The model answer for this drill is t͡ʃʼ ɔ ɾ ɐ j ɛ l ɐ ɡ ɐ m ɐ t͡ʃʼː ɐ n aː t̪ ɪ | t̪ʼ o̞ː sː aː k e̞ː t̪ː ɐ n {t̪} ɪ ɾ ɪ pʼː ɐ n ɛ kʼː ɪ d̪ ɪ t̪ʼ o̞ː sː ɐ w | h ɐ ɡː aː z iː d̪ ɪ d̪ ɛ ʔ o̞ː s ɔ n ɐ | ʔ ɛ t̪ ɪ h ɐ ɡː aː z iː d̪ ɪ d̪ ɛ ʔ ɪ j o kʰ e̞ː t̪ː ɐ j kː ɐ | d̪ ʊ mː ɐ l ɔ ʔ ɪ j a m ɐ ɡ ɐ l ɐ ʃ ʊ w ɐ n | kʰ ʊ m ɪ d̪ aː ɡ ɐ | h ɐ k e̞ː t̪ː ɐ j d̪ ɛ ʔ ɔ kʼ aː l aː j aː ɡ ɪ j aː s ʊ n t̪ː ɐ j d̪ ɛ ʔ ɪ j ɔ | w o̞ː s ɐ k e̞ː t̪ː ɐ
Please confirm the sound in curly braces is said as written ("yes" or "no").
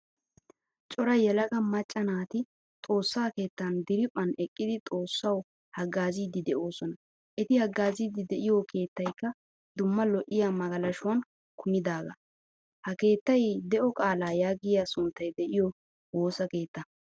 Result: no